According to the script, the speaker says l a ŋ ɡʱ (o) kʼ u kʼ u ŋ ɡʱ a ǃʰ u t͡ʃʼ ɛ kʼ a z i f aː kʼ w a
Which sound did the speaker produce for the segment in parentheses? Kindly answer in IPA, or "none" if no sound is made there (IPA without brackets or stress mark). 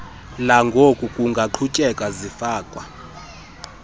o